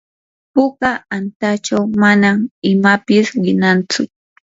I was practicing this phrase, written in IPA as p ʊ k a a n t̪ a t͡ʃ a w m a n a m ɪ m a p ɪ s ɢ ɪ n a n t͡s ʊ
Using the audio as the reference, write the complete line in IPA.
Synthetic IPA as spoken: p ʊ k a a n t̪ a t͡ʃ a w m a n a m ɪ m a p ɪ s ɢ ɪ n a n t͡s ʊ